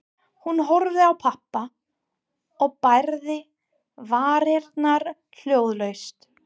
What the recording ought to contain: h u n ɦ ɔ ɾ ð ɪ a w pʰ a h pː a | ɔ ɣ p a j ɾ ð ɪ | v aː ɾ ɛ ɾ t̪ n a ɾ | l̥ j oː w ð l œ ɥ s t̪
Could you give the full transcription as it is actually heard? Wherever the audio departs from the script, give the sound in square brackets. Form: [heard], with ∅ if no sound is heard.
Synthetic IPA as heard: h u n ɦ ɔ ɾ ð ɪ a w pʰ a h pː a | ɔ ɣ p a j ɾ ð ɪ | v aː ɾ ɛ ɾ t̪ n a ɾ | l̥ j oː w ð l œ ɥ s t̪